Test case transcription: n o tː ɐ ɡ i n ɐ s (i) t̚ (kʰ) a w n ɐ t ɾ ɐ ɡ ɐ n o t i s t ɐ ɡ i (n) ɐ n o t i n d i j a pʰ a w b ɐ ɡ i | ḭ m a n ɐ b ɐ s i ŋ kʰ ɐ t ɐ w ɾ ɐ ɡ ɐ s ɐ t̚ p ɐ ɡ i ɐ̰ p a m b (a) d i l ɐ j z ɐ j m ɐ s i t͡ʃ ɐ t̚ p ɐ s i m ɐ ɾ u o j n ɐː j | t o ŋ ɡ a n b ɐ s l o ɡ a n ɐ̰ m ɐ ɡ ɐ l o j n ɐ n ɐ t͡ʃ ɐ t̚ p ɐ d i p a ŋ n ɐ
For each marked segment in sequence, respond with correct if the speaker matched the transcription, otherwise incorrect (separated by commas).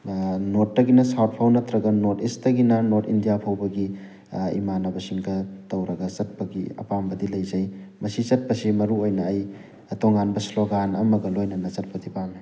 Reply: incorrect, incorrect, correct, incorrect